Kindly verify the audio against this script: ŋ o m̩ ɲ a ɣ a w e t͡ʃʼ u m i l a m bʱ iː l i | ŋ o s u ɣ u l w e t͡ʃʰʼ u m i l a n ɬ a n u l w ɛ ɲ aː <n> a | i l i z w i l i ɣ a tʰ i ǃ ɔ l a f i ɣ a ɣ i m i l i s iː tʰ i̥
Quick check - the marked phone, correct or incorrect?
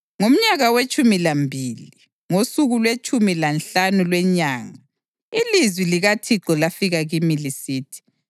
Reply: incorrect: ŋ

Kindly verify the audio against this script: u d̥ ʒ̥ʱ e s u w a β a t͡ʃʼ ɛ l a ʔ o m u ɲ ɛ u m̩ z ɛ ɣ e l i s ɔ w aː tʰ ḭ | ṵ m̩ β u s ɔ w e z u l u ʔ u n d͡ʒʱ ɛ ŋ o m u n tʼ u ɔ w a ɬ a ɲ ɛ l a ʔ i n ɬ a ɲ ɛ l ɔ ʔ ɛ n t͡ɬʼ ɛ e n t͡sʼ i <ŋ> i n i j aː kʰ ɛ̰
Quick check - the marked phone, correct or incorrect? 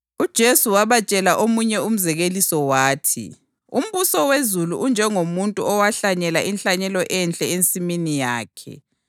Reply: incorrect: m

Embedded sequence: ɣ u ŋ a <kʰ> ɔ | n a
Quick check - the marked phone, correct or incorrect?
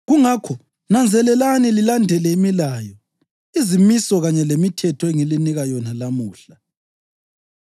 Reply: correct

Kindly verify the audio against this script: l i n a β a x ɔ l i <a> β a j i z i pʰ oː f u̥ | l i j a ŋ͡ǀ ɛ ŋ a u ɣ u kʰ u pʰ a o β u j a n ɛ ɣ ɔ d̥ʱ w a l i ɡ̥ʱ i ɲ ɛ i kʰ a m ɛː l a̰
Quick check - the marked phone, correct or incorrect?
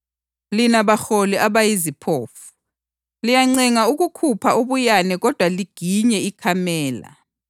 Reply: correct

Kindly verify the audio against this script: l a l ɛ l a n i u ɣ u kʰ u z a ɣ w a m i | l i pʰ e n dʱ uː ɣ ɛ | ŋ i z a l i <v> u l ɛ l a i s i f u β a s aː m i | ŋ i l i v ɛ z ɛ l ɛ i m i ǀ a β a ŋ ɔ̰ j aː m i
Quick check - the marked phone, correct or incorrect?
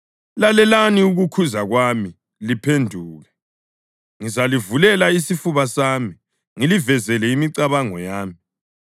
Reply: correct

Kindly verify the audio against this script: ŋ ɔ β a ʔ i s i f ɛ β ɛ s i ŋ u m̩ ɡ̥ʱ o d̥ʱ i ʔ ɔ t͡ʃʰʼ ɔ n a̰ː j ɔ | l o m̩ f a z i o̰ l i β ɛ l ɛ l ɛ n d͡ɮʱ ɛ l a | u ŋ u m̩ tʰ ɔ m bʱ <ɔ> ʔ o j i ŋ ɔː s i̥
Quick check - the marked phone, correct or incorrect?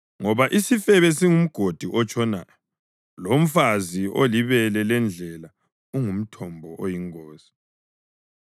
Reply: correct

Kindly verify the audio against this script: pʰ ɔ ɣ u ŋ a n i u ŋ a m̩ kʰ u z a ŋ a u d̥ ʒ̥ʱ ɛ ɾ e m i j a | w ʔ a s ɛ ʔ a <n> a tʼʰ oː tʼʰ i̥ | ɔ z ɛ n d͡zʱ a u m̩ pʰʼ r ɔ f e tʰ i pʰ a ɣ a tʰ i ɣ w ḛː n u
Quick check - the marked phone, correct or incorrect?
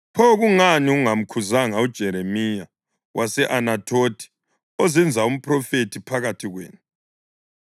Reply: correct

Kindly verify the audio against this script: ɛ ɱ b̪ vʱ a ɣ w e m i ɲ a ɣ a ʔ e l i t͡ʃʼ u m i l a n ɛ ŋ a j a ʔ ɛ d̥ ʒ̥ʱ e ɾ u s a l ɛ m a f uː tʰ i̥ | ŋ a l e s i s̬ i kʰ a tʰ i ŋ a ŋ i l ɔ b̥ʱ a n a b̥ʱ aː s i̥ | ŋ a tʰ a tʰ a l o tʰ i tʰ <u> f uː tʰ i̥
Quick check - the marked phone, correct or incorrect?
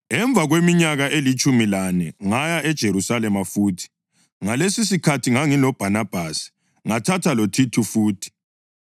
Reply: correct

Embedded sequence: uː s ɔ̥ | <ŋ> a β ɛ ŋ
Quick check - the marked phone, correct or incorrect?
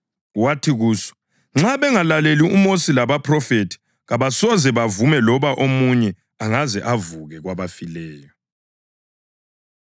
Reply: incorrect: ŋ͡ǁ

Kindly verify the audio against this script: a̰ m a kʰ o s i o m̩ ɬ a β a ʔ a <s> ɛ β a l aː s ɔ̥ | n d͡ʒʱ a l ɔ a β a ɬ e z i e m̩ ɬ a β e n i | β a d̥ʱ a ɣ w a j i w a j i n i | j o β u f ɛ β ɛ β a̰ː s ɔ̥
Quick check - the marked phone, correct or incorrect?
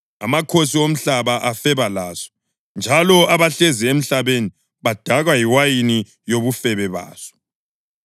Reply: incorrect: f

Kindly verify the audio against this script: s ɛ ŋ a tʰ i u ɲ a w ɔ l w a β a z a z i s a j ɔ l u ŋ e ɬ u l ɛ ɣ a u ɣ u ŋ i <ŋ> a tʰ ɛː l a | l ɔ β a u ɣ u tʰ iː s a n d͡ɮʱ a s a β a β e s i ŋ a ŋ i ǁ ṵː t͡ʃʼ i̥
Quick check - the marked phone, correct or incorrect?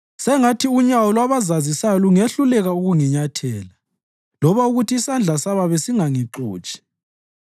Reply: incorrect: ɲ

